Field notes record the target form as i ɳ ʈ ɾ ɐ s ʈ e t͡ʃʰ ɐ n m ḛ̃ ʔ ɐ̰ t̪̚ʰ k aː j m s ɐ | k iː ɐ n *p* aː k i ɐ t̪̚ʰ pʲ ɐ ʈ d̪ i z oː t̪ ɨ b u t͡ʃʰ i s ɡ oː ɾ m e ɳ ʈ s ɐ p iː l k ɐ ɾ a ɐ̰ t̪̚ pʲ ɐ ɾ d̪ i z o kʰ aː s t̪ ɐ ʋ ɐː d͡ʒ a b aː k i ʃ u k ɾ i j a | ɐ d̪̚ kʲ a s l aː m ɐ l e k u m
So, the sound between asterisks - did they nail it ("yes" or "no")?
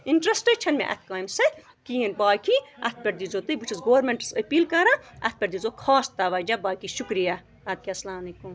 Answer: no